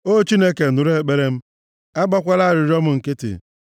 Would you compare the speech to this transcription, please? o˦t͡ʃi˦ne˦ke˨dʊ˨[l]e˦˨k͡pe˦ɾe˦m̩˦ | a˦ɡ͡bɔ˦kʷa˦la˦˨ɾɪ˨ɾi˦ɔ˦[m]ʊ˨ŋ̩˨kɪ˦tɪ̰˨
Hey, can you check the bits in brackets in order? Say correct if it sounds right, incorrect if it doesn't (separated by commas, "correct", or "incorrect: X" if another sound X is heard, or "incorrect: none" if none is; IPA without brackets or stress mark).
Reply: incorrect: ɾ, correct